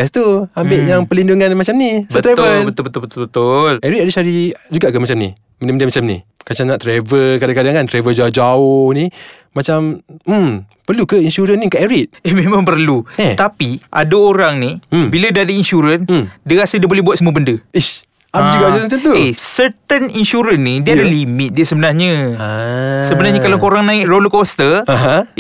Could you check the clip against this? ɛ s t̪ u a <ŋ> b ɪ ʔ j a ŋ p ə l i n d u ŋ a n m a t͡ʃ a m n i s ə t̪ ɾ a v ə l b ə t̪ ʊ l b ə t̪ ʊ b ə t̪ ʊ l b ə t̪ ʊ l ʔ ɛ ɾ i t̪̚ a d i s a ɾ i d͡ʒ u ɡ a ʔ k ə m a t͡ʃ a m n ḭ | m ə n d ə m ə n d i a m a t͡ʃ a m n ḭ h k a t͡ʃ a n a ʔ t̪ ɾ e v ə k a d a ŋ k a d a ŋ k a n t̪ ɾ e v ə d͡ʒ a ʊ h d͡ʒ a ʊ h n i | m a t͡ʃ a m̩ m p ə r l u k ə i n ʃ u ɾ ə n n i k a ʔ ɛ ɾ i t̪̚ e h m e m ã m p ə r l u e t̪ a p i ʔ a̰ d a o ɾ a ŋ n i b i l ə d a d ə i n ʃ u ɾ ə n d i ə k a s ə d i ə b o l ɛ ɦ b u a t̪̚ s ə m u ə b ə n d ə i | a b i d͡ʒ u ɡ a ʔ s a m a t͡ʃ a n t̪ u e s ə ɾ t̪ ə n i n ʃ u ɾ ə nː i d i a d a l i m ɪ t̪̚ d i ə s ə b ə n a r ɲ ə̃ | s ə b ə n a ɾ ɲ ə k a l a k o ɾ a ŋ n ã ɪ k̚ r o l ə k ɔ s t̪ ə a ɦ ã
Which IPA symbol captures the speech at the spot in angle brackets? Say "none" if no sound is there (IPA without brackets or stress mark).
m